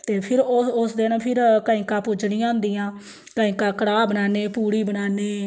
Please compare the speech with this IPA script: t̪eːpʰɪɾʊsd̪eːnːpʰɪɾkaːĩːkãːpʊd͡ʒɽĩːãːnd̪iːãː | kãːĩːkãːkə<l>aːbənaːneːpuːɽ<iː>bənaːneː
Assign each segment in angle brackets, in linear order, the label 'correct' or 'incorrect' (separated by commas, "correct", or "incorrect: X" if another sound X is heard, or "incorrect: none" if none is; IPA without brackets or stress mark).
incorrect: ɽ, correct